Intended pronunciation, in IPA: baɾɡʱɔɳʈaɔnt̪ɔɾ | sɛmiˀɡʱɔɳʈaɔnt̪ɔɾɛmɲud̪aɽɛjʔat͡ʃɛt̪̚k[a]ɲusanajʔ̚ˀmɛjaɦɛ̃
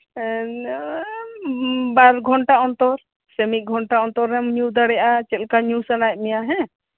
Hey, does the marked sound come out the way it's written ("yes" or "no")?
yes